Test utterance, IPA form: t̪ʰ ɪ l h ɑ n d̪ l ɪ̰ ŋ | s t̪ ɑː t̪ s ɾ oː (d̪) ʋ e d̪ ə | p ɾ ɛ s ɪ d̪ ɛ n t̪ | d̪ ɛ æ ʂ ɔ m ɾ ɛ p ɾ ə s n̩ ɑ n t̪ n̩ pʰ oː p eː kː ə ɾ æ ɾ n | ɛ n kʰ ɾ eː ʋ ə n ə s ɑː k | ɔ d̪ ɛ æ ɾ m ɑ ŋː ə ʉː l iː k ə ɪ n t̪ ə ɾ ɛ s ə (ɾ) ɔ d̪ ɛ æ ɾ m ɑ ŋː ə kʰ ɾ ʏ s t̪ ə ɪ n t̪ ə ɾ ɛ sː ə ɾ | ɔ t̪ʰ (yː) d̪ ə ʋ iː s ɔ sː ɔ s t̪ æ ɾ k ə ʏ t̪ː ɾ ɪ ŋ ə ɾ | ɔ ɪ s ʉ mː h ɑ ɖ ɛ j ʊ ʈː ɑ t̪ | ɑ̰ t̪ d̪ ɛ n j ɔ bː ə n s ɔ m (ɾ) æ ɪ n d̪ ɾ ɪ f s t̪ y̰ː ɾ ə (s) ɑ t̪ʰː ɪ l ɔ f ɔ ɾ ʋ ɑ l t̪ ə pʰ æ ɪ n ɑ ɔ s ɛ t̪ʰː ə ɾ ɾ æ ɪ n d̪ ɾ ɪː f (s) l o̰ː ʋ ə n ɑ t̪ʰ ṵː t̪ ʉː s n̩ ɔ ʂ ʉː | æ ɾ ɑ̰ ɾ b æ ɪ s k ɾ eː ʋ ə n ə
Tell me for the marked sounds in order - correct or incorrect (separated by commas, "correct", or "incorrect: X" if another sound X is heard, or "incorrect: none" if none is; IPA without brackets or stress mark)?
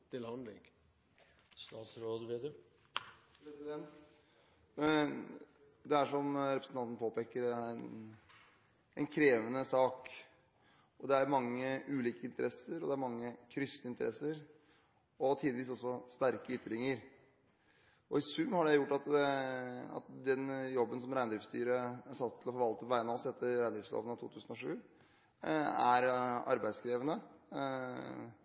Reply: correct, correct, incorrect: iː, correct, correct, correct